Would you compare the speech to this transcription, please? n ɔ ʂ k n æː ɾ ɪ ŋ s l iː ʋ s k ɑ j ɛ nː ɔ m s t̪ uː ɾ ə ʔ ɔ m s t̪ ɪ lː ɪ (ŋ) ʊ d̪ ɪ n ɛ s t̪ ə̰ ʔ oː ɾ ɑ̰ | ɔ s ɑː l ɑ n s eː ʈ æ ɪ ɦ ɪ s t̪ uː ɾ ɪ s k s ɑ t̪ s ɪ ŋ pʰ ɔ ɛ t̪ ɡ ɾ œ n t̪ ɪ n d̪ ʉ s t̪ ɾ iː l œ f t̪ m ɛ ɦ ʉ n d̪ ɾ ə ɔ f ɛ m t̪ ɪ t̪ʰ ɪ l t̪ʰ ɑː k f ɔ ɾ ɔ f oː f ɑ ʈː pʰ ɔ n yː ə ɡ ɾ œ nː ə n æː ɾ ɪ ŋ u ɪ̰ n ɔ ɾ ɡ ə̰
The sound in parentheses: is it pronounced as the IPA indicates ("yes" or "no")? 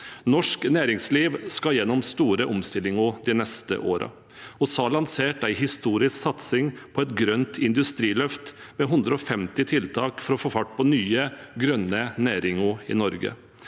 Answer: yes